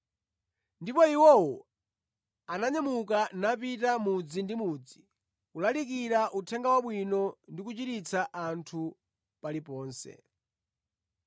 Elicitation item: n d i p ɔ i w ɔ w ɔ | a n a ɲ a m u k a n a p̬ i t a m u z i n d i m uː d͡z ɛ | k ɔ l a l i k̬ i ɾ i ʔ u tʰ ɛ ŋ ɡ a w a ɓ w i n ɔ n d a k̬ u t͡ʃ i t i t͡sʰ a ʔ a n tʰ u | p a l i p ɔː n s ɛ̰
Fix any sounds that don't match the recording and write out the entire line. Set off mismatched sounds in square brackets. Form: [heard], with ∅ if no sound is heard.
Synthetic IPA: n d i p ɔ i w ɔ w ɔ | a n a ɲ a m u k a n a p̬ i t a m u [d͡z] i n d i m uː d͡z [i] | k [u] l a l i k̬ i ɾ [a] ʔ u tʰ ɛ ŋ ɡ a w a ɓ w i n ɔ n d [i] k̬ u t͡ʃ i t i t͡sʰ a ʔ a n tʰ u | p a l i p ɔː n s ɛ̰